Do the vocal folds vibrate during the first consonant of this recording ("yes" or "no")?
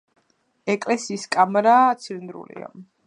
no